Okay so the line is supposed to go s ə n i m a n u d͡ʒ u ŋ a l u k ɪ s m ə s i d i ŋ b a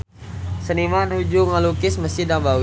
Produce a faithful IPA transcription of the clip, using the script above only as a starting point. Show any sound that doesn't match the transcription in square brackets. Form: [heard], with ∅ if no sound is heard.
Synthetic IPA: s ə n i m a n u d͡ʒ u ŋ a l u k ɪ s m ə s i d [a] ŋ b a